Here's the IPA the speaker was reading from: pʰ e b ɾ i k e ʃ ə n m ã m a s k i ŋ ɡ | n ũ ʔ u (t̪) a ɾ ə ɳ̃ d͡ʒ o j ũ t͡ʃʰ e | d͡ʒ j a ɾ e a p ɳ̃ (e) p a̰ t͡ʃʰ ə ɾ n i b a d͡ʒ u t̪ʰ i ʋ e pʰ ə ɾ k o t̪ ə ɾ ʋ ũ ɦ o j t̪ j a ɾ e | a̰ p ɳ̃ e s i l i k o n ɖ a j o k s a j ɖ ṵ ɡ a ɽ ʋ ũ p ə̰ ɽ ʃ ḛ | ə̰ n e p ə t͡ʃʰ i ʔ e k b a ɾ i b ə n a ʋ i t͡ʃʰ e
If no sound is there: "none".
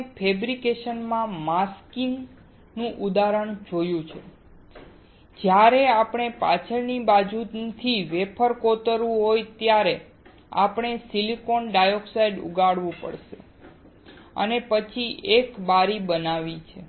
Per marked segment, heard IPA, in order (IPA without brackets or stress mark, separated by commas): d̪, e